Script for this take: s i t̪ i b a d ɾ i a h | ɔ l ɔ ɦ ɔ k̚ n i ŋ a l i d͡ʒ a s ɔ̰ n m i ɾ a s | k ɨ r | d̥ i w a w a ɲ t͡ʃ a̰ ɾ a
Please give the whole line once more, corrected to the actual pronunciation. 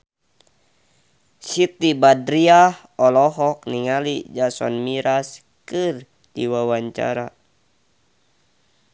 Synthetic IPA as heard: s i t̪ i b a d ɾ i a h | ɔ l ɔ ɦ ɔ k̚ n i ŋ a l i d͡ʒ a s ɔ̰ n m i ɾ a s | k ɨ r | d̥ i w a w a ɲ t͡ʃ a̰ ɾ a